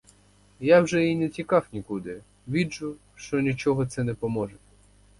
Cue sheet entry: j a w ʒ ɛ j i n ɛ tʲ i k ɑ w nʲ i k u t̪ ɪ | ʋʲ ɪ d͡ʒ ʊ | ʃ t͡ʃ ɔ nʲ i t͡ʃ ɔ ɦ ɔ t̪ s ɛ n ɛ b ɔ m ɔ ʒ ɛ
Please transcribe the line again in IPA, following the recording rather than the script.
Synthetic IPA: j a w ʒ ɛ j i n ɛ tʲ i k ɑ w nʲ i k u d̪ ɪ | ʋʲ i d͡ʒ ʊ | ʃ t͡ʃ ɔ nʲ i t͡ʃ ɔ ɦ ɔ t̪ s ɛ n ɛ p ɔ m ɔ ʒ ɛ